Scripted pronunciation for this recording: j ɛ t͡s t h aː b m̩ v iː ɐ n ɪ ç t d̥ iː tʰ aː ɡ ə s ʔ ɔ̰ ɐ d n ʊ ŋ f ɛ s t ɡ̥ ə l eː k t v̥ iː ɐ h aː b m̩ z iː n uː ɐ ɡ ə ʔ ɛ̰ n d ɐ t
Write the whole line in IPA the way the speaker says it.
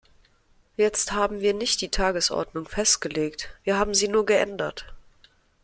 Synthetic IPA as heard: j ɛ t͡s t h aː b m̩ v iː ɐ n ɪ ç t d̥ iː tʰ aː ɡ ə s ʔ ɔ̰ ɐ d n ʊ ŋ f ɛ s t ɡ̥ ə l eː k t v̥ iː ɐ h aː b m̩ z iː n uː ɐ ɡ ə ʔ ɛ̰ n d ɐ t